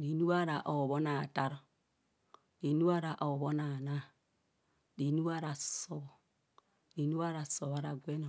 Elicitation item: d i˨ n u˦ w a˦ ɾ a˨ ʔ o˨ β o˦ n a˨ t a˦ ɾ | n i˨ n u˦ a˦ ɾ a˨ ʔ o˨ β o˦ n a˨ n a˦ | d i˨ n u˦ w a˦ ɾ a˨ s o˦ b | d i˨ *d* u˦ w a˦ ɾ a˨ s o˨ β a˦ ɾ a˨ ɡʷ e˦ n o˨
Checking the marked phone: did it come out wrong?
yes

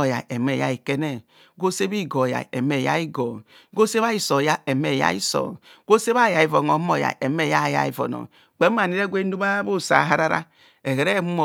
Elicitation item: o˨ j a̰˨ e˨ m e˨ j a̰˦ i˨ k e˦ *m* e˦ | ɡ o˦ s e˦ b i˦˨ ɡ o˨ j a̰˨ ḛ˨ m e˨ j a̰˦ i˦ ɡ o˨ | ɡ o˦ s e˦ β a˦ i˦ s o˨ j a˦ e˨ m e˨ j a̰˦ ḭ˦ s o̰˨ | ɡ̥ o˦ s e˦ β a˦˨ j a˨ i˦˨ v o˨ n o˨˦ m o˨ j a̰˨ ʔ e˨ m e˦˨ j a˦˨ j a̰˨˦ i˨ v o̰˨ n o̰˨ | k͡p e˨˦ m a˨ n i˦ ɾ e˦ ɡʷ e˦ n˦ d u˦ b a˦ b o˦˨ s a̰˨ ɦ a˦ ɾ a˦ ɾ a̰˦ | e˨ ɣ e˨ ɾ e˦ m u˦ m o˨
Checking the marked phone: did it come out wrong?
yes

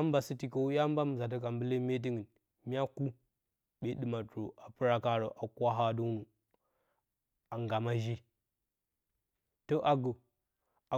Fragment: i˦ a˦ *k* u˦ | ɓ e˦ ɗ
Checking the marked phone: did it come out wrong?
no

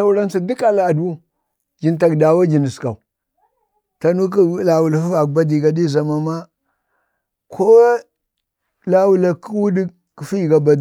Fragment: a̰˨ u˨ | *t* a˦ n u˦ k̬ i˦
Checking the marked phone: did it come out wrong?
no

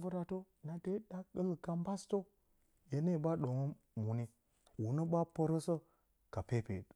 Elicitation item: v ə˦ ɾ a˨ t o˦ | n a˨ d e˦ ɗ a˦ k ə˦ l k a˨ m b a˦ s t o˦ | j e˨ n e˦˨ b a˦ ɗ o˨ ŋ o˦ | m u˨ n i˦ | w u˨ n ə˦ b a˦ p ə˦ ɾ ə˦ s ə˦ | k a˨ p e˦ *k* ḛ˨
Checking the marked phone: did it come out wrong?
yes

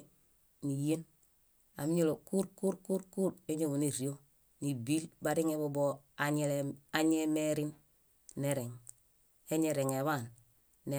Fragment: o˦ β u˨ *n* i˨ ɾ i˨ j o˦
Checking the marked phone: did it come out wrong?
no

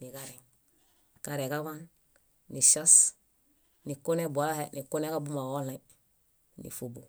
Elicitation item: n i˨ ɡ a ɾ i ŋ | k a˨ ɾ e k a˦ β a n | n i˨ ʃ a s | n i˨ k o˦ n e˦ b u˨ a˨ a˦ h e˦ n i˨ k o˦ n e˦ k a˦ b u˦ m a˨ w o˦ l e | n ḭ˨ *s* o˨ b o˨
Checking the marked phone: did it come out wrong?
yes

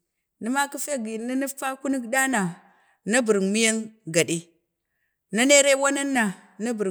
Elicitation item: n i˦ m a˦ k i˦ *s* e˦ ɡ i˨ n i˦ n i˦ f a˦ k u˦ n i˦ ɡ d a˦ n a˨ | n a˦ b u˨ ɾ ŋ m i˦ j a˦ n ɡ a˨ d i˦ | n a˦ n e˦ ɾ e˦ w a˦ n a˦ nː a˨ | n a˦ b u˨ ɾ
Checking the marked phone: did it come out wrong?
yes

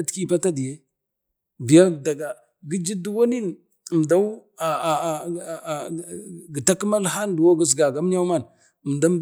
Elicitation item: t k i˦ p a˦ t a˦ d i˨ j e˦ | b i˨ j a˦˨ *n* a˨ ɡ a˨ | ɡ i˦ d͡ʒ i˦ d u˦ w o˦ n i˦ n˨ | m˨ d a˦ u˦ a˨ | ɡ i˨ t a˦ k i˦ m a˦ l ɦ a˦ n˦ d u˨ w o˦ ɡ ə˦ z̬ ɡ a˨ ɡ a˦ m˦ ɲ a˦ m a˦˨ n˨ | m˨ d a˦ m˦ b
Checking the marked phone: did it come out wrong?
yes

